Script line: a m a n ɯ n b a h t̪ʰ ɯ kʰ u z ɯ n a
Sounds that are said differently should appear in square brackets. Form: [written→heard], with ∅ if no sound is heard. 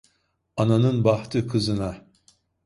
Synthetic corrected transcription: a [m→n] a n ɯ n b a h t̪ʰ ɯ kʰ [u→ɯ] z ɯ n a